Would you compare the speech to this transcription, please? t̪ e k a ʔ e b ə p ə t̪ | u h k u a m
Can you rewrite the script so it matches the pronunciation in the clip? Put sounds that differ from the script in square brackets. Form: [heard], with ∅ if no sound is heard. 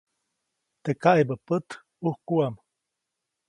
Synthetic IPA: t̪ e k a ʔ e b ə p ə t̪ | u h k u a m